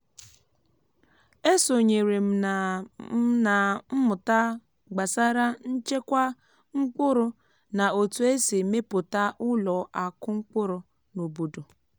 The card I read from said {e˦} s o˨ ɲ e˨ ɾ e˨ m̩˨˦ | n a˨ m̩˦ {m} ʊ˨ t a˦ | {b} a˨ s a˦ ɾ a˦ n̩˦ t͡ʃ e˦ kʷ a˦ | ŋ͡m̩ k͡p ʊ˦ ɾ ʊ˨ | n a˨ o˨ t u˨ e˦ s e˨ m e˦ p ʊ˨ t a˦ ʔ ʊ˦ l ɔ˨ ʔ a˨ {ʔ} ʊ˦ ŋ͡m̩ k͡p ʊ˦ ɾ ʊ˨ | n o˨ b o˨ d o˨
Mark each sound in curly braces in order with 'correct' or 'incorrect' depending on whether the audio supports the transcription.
correct, correct, incorrect: ɡ͡b, incorrect: k

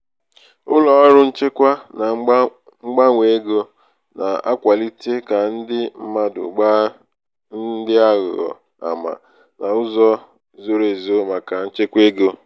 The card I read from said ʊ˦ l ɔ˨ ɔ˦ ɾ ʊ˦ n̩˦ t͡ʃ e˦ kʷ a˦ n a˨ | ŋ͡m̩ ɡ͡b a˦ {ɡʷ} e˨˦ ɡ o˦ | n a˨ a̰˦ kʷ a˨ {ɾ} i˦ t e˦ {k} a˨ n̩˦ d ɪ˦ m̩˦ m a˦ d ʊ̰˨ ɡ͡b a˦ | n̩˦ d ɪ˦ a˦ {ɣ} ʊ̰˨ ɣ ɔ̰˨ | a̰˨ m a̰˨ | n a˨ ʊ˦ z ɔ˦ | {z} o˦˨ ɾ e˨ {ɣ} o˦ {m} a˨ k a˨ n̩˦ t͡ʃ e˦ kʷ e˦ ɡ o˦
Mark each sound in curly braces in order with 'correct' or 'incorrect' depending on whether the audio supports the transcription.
incorrect: ŋʷ, incorrect: l, correct, correct, correct, incorrect: z, correct

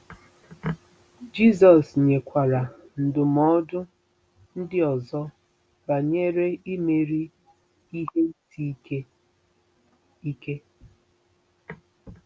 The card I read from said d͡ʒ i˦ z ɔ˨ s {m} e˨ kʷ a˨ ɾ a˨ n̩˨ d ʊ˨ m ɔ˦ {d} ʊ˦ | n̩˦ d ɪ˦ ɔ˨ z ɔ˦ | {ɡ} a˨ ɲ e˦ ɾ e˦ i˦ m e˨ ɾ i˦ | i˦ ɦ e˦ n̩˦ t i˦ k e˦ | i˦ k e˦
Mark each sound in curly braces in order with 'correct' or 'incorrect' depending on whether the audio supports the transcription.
incorrect: ɲ, correct, incorrect: b

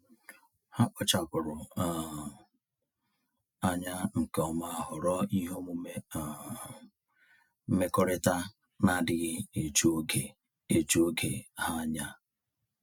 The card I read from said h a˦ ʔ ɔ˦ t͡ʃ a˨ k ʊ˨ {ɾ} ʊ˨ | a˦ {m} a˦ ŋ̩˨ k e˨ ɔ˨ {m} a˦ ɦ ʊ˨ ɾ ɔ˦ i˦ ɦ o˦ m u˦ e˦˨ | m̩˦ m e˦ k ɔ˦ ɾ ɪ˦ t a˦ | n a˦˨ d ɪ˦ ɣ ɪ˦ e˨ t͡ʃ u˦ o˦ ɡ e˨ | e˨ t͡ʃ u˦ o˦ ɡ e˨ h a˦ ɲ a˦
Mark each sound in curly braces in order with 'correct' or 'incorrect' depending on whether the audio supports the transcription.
correct, incorrect: ɲ, correct

